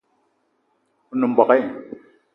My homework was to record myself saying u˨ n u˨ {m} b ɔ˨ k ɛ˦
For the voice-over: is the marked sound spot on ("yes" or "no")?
yes